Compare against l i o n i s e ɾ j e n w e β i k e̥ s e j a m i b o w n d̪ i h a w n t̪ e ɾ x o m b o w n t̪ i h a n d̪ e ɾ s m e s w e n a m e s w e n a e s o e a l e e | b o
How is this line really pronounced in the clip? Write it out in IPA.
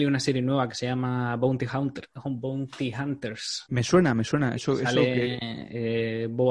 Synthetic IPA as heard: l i u n a s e ɾ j e n w e β a k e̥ s e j a m a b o w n t̪ i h a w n t̪ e ɾ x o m b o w n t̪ i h a n t̪ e ɾ s m e s w e n a m e s w e n a e s o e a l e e | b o